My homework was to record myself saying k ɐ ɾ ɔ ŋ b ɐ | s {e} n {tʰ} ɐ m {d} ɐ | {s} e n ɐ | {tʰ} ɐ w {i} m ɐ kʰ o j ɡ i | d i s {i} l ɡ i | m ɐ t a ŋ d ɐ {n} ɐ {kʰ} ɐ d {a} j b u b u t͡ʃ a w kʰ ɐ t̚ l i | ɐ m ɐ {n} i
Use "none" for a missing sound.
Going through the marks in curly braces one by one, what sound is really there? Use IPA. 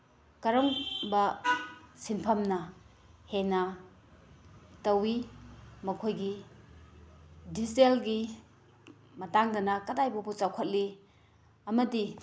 i, pʰ, n, h, t, i, e, n, k, a, d

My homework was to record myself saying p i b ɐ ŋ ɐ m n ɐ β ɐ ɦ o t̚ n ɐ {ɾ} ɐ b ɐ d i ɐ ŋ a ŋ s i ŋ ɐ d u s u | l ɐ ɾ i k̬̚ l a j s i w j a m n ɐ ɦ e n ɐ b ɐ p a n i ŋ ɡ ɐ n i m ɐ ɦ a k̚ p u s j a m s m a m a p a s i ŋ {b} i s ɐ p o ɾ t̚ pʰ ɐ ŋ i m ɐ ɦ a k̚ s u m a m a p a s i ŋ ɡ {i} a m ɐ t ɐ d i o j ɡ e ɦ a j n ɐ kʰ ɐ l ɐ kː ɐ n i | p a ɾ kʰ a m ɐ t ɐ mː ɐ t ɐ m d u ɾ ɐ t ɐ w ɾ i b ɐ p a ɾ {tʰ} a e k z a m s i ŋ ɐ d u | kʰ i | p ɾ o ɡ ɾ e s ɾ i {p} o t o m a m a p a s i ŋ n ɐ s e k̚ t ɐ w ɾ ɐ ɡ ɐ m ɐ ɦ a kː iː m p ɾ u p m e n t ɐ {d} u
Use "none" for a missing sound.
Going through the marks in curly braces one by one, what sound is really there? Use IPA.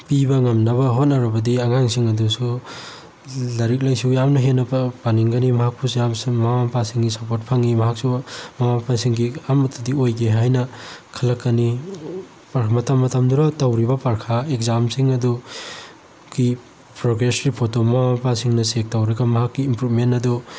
ɾ, ɡ, i, kʰ, pʰ, d

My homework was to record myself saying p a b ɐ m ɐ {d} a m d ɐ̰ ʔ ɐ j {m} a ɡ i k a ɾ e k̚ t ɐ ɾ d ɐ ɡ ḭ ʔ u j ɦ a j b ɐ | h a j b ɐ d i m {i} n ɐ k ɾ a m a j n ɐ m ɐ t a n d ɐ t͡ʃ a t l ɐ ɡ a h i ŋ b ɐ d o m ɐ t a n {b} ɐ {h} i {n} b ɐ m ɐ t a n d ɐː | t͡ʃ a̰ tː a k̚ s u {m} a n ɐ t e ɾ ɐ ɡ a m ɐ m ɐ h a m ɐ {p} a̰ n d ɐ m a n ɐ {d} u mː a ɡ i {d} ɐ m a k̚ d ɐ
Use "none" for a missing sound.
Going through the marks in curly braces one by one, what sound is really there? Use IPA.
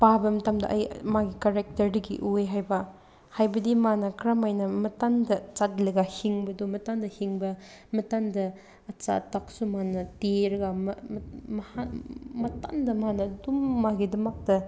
t, m, a, d, h, ŋ, m, t, d, d

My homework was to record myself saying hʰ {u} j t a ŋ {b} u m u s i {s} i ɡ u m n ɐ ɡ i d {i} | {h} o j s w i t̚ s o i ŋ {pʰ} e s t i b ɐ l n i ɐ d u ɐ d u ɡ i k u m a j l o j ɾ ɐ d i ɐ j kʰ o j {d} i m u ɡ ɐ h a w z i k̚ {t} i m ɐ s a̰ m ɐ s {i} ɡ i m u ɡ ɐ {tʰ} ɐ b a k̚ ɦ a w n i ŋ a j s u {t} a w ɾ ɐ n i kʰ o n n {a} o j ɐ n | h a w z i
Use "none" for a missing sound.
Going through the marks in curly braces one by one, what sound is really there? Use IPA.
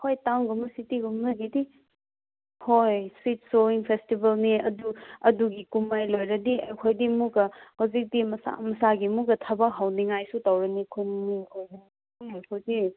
o, ɡ, t, i, h, pʰ, d, d, a, tʰ, t, i

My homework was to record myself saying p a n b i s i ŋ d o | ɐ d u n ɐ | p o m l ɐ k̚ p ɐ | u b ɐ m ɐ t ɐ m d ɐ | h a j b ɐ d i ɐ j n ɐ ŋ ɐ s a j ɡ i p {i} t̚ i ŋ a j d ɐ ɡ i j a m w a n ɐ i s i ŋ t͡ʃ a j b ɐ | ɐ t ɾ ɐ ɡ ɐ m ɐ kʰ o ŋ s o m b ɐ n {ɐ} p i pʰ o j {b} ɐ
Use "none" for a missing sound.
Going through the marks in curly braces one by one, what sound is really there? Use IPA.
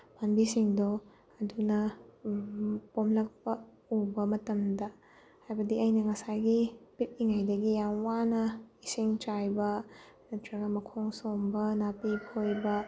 i, a, b

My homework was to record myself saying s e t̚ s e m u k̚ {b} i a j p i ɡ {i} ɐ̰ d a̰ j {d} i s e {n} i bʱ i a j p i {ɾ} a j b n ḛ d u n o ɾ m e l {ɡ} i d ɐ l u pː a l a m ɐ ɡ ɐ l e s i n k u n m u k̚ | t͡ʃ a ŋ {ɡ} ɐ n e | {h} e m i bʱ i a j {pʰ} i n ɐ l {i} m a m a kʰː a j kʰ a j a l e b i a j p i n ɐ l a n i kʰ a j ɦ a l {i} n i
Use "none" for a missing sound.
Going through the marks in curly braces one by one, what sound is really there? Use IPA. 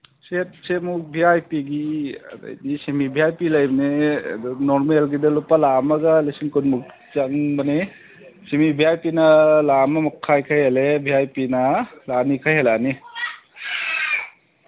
b, i, d, m, l, ɡ, b, s, p, a, a

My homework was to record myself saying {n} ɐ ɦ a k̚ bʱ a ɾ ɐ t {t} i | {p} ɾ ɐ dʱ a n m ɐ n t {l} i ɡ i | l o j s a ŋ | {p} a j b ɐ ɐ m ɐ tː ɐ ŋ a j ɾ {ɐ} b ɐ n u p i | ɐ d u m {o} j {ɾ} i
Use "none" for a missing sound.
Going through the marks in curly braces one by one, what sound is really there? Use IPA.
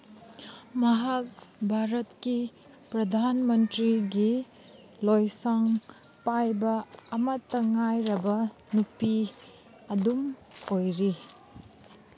m, k, p, ɾ, p, ɐ, o, ɾ

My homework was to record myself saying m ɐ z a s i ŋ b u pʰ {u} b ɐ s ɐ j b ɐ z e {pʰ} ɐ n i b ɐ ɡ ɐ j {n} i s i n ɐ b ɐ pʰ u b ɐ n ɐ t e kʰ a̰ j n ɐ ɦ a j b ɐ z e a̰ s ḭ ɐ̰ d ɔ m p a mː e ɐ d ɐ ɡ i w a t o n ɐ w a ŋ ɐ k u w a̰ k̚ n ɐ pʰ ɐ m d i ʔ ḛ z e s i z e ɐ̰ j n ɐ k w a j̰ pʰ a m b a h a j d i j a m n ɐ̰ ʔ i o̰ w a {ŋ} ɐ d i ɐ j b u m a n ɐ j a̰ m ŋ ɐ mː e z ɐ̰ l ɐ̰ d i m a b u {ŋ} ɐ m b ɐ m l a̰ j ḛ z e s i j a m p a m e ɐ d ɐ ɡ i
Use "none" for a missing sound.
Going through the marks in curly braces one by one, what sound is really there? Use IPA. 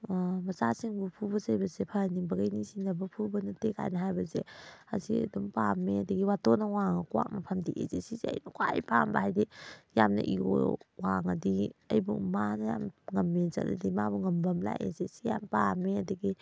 u, pʰ, n, ŋ, ŋ

